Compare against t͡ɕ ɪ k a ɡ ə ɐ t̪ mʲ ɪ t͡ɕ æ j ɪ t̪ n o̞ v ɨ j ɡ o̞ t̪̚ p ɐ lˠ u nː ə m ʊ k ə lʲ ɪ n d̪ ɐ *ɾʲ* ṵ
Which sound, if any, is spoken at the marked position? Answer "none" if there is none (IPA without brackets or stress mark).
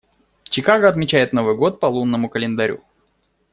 ɾʲ